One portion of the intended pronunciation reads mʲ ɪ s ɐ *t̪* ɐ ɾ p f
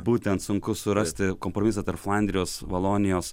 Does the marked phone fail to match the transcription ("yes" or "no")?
no